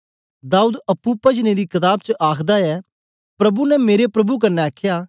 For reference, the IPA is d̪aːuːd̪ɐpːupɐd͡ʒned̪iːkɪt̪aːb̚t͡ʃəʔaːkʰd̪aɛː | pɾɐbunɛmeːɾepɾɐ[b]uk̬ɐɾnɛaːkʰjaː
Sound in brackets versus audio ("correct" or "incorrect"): correct